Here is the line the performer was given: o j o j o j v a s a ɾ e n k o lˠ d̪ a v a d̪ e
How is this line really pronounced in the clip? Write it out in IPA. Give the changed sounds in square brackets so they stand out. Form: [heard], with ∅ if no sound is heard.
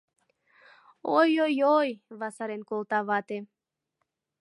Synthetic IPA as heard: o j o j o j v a s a ɾ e n k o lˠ [t̪] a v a [t̪] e